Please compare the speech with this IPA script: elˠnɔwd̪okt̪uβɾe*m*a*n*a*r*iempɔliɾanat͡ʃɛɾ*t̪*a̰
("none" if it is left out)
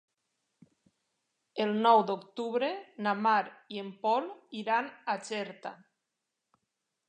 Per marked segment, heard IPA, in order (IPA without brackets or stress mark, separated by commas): n, m, ɾ, t̪